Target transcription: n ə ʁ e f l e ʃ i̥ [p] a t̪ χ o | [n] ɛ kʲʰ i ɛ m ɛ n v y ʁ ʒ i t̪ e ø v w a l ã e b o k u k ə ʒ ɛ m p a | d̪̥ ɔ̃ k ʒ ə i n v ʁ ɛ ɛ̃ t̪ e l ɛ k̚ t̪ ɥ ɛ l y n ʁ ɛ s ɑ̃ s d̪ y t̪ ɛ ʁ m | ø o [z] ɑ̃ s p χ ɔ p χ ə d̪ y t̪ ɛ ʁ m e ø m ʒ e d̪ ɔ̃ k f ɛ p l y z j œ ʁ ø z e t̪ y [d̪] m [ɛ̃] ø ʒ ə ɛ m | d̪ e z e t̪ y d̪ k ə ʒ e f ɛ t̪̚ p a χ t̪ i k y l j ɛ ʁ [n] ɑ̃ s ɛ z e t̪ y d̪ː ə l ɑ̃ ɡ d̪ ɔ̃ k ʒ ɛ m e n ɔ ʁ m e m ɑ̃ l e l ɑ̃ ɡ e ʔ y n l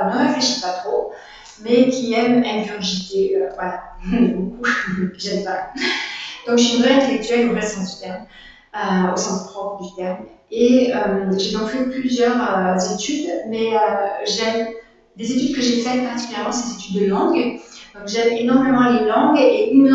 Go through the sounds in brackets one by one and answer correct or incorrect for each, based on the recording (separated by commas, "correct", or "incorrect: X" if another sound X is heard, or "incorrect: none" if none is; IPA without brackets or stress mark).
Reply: correct, incorrect: m, incorrect: s, correct, incorrect: ɛ, incorrect: m